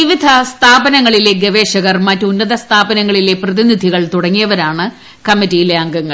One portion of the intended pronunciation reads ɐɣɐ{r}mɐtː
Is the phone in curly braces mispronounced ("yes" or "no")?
no